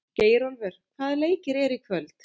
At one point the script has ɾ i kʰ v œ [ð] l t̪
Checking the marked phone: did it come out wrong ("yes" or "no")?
yes